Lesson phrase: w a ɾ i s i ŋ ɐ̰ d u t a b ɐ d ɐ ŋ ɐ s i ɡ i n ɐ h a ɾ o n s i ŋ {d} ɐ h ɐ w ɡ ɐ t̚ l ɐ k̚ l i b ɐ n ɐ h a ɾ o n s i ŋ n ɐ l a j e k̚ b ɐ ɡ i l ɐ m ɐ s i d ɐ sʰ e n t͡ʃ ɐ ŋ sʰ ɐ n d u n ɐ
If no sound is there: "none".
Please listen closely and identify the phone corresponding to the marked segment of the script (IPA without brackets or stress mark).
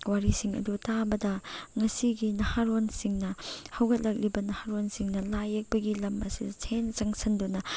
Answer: n